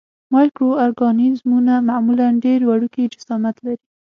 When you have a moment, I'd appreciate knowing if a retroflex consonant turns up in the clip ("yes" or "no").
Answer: yes